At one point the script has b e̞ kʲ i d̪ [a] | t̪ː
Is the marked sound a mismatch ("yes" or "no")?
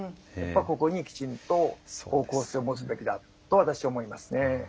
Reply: no